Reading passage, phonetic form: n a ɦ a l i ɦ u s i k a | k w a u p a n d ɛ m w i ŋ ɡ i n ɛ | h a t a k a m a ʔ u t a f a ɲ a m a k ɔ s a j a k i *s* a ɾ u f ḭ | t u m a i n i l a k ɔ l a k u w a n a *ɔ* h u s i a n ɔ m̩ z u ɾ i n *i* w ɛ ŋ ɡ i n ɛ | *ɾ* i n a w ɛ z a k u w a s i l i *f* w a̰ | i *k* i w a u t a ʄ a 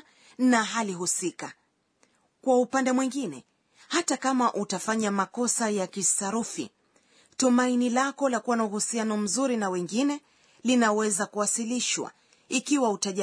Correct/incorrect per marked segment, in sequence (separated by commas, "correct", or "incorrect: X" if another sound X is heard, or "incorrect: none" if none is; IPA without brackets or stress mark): correct, incorrect: u, incorrect: a, incorrect: l, incorrect: ʃ, correct